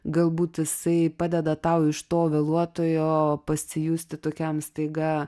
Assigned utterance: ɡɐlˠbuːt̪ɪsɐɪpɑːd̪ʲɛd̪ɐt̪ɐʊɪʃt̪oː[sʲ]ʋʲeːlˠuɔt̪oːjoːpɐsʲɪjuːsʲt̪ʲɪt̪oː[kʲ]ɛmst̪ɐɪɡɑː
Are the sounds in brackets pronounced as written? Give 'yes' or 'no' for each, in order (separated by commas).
no, yes